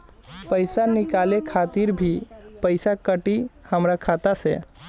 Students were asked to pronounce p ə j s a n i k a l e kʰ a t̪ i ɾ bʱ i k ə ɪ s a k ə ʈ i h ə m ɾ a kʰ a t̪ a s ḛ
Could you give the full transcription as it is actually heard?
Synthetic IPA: p ə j s a n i k a l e kʰ a t̪ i ɾ bʱ i p ə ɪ s a k ə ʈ i h ə m ɾ a kʰ a t̪ a s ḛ